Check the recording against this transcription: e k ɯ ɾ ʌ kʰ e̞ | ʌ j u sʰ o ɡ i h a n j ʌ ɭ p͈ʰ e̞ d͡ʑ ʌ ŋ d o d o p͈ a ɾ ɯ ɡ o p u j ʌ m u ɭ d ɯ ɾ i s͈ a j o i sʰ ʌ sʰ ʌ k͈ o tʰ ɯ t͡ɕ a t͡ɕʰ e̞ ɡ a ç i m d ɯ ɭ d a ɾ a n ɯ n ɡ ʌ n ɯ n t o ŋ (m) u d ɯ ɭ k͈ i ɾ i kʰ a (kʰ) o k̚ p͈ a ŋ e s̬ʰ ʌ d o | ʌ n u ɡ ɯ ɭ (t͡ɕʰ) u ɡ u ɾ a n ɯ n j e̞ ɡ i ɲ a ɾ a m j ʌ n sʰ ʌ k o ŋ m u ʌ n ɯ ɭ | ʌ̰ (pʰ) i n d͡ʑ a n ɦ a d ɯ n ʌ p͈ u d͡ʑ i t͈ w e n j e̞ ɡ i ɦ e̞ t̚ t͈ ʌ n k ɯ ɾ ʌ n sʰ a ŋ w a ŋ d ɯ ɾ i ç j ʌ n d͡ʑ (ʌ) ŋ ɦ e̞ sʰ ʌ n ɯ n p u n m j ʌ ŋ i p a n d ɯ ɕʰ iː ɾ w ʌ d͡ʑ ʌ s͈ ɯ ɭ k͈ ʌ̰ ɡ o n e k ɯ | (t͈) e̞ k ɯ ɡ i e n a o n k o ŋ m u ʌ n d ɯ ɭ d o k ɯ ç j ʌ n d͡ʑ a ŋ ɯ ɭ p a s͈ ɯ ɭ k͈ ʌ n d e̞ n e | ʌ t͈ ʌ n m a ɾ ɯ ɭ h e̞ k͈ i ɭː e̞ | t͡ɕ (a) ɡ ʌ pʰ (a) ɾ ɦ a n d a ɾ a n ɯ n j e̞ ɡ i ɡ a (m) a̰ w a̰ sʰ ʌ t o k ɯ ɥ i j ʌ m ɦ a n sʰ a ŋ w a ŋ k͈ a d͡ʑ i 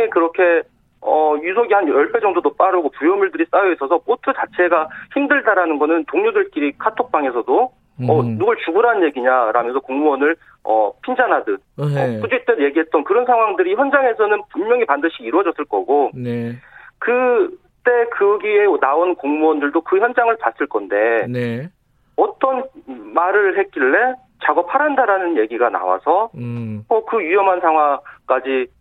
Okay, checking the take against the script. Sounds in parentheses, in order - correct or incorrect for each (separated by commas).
incorrect, incorrect, incorrect, correct, incorrect, correct, correct, correct, incorrect